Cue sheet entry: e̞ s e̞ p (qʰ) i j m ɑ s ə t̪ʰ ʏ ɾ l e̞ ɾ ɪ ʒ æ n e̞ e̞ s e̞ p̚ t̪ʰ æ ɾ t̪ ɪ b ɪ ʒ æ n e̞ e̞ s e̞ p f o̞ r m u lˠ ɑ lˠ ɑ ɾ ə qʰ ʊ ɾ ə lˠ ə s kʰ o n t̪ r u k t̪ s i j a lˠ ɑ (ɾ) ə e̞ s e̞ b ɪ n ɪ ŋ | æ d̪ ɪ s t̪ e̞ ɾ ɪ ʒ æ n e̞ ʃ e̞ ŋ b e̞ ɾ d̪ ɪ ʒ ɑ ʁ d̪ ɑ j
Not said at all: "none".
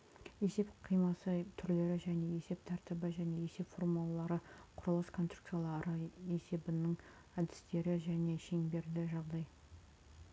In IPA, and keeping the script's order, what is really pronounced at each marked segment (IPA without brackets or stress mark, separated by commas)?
qʰ, ɾ